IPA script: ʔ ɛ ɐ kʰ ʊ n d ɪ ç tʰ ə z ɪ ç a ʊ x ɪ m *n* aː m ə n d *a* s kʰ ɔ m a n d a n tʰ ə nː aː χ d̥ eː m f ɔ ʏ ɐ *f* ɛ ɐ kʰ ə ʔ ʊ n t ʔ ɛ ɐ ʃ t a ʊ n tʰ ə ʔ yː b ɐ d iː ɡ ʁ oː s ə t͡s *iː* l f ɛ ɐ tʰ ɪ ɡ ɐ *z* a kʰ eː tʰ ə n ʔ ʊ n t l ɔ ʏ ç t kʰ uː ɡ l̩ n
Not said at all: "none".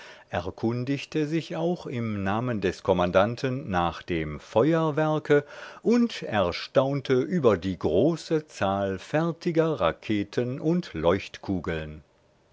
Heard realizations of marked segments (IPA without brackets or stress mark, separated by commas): n, ɛ, v, aː, ʁ